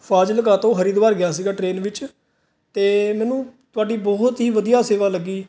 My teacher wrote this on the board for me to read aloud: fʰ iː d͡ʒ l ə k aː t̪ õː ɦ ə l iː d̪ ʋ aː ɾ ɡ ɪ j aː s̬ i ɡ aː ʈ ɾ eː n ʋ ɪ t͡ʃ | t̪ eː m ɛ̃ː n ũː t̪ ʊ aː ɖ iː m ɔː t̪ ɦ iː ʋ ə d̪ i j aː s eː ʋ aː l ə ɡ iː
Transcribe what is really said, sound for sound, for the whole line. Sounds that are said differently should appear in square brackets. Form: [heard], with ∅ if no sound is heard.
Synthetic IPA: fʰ [aː] d͡ʒ l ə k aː t̪ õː ɦ ə [ɾ] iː d̪ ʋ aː ɾ ɡ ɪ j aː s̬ [iː] ɡ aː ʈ ɾ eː n ʋ ɪ t͡ʃ | t̪ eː m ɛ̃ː n ũː t̪ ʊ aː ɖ iː [b] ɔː t̪ ɦ iː ʋ ə d̪ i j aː s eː ʋ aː l ə ɡ iː